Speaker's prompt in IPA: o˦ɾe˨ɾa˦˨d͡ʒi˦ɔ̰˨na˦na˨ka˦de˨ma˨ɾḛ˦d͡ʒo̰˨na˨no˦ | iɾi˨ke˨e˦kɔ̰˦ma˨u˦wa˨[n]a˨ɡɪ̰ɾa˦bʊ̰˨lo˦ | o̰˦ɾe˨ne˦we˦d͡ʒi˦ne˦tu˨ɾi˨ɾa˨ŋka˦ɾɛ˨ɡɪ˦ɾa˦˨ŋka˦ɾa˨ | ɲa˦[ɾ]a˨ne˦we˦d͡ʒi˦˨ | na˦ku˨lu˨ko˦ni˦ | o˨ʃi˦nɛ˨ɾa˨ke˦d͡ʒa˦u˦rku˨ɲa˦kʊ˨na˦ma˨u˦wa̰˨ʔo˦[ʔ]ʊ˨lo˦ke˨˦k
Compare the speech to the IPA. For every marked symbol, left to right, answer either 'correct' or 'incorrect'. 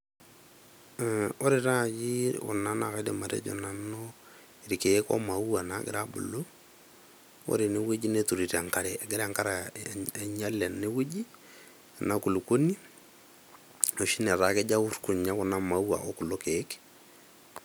correct, incorrect, incorrect

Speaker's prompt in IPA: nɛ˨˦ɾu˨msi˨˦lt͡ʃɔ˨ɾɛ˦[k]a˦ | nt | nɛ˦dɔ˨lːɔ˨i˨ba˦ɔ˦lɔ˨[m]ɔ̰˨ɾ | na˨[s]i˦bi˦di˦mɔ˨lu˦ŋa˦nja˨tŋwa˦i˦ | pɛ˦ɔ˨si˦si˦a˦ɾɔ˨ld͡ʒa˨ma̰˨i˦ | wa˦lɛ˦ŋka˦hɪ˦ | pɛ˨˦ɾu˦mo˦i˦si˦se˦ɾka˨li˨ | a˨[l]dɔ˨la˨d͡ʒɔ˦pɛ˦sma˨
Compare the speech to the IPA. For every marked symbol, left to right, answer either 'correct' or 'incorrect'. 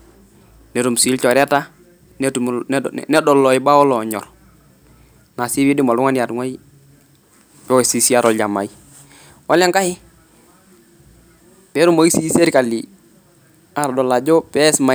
incorrect, incorrect, correct, incorrect

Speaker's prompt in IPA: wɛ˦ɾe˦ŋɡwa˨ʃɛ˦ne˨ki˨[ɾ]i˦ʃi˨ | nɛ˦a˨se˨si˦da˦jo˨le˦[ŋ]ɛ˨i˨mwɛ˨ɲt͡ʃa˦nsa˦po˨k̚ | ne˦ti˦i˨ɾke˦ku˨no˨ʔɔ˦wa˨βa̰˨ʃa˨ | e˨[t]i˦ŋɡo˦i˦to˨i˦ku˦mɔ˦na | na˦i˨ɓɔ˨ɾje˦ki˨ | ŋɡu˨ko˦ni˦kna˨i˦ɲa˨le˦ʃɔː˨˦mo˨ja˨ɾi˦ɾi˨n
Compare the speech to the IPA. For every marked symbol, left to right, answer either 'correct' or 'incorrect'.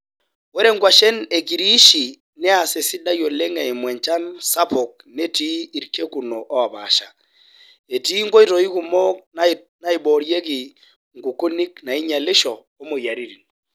correct, correct, correct

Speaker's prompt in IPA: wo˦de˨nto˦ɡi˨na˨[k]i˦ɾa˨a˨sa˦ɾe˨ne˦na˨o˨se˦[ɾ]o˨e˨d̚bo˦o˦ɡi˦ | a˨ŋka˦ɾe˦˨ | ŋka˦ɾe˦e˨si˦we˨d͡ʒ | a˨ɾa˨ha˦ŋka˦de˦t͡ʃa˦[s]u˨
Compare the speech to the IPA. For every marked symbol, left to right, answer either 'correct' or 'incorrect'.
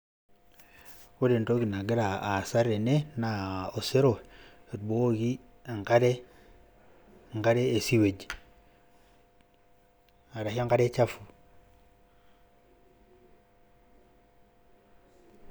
incorrect, correct, incorrect

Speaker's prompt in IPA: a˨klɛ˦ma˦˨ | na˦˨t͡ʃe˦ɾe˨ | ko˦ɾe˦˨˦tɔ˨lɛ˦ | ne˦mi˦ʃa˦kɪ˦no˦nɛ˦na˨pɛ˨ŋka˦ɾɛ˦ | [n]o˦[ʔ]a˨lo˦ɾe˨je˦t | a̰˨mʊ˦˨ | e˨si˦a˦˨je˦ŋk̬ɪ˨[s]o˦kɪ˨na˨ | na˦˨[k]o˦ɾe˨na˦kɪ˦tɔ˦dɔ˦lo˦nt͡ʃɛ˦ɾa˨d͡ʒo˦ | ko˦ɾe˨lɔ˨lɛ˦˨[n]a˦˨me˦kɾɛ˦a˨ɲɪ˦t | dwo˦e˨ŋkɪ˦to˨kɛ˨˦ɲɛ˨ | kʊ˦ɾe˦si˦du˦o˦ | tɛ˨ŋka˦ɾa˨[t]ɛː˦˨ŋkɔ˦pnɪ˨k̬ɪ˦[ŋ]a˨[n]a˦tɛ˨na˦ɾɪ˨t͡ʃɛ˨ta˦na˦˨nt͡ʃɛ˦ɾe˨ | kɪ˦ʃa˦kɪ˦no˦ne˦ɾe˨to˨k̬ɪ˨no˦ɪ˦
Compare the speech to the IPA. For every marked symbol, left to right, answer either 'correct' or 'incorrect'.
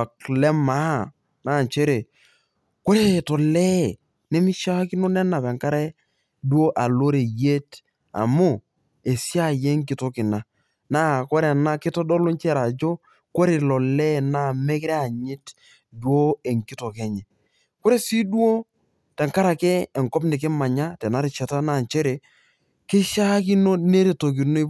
incorrect, correct, incorrect, correct, correct, incorrect, incorrect, incorrect

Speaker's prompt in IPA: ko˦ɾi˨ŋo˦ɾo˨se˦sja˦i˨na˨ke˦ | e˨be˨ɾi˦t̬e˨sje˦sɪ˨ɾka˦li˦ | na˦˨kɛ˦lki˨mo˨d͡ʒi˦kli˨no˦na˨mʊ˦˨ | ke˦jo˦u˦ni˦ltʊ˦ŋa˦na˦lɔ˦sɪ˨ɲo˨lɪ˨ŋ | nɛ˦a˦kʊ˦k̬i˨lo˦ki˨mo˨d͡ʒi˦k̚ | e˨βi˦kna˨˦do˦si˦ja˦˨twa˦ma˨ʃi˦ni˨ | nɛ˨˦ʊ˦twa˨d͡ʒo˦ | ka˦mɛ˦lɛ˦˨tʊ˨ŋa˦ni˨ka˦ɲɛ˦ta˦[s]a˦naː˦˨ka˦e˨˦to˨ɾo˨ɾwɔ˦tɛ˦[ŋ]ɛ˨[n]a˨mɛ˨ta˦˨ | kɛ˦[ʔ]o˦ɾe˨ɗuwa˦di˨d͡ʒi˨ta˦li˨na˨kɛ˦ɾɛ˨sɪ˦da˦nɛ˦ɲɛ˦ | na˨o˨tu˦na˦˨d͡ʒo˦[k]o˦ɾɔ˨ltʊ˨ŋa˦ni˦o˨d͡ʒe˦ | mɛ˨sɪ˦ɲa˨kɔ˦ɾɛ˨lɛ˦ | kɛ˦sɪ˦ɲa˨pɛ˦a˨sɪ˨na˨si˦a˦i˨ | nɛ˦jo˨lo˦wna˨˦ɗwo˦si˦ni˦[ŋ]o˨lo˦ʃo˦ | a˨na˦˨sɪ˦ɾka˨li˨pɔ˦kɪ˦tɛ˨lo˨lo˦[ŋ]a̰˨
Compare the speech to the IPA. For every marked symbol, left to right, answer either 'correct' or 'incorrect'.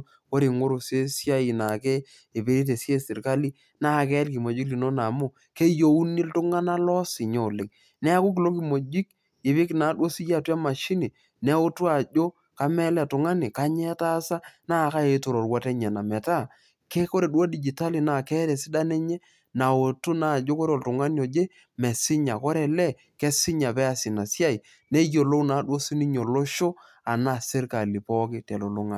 correct, incorrect, correct, incorrect, correct, incorrect, correct

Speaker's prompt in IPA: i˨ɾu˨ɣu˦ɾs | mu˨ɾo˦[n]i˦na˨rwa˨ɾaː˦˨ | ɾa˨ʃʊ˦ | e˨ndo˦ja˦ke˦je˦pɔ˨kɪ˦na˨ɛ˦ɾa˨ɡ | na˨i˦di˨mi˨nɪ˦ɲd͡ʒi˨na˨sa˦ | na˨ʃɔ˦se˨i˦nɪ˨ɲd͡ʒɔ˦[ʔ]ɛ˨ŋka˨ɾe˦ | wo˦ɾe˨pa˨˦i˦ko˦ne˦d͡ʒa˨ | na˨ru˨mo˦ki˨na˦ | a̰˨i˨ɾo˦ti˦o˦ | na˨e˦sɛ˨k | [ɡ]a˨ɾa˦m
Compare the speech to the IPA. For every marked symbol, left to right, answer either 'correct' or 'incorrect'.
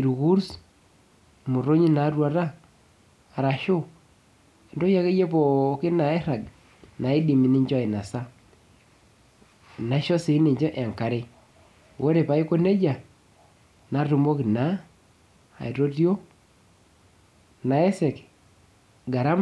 incorrect, correct, correct

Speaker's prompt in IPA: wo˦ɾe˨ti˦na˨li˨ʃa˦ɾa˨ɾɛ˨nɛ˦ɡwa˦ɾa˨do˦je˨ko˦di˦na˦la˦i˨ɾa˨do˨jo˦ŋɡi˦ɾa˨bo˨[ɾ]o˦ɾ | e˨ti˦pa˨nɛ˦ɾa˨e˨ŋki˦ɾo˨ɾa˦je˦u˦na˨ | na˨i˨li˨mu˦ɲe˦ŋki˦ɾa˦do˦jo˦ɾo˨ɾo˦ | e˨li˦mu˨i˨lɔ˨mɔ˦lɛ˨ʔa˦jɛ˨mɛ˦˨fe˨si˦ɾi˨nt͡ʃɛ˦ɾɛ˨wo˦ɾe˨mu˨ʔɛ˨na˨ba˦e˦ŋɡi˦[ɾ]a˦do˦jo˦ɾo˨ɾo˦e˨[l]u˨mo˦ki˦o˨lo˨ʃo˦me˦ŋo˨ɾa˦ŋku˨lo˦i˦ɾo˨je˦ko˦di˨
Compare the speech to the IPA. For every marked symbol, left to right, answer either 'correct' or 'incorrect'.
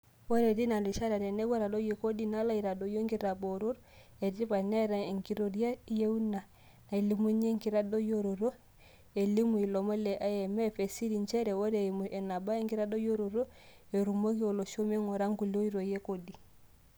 correct, correct, incorrect

